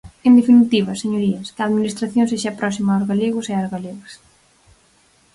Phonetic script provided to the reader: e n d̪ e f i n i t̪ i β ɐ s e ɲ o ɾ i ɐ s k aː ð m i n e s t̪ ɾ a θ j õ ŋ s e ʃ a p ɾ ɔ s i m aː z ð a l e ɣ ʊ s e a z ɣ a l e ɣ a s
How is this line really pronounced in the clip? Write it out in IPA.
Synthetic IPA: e n d̪ e f i n i t̪ i β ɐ s e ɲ o ɾ i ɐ s k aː ð m i n i s t̪ ɾ a θ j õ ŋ s e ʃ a p ɾ ɔ s i m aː z ɣ a l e ɣ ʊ s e a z ɣ a l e ɣ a s

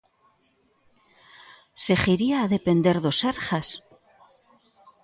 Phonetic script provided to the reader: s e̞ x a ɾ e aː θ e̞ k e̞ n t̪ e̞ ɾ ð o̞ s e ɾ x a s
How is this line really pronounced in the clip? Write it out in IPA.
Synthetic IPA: s e̞ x i ɾ i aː ð e̞ p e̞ n d̪ e̞ ɾ ð o̞ s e ɾ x a s

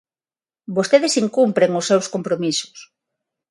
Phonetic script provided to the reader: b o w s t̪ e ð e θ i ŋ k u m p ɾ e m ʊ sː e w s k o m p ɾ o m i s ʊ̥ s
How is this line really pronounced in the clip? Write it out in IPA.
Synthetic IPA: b o s t̪ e ð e s i ŋ k u m p ɾ e ŋ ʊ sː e w s k o m p ɾ o m i s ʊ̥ s

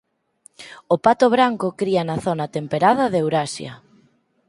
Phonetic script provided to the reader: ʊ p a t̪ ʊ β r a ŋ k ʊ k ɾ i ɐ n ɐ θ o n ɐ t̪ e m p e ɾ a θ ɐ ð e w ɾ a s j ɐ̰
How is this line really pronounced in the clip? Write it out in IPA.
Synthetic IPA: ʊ p a t̪ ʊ β ɾ a ŋ k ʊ k ɾ i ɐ n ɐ θ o n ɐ t̪ e m p e ɾ a ð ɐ ð e w ɾ a s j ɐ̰

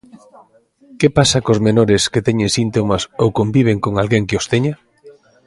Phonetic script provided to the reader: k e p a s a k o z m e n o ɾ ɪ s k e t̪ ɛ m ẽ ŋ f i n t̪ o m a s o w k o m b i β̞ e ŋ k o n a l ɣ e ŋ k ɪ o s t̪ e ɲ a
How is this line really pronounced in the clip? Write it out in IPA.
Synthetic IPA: k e p a s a k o z m e n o ɾ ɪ s k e t̪ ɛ ɲ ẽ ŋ s i n t̪ o m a s o w k o m b i β̞ e ŋ k o ŋ a l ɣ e ŋ k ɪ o s t̪ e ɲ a

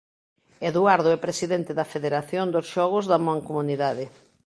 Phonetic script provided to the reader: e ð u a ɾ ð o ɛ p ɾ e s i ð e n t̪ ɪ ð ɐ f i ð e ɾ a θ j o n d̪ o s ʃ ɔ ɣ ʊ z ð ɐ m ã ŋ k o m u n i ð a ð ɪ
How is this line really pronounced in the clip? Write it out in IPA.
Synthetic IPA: e ð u a ɾ ð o ɛ p ɾ e s i ð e n t̪ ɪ ð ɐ f e ð e ɾ a θ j o n d̪ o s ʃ ɔ ɣ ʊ z ð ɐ m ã ŋ k o m u n i ð a ð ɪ

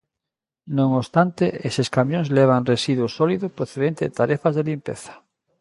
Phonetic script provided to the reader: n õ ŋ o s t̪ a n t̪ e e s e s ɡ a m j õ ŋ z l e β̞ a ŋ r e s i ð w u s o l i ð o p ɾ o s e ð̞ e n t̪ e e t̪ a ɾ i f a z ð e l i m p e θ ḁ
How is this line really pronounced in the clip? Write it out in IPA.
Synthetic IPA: n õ ŋ o s t̪ a n t̪ e e s e s k a m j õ ŋ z l e β̞ a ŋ r e s i ð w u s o l i ð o p ɾ o θ e ð̞ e n t̪ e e t̪ a ɾ e f a z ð e l i m p e θ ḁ

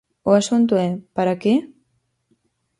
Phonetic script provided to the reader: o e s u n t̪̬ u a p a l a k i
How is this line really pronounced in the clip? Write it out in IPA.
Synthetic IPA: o a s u n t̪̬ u e p a ɾ a k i

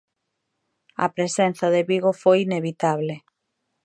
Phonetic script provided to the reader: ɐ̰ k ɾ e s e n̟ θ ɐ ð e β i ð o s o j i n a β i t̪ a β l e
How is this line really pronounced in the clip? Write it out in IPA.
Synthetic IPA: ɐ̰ p ɾ e s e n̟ θ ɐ ð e β i ɣ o f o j i n e β i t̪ a β l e

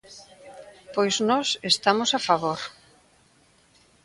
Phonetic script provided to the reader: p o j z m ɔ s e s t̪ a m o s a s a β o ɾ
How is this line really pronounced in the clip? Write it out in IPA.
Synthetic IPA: p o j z n ɔ s e s t̪ a m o s a f a β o ɾ

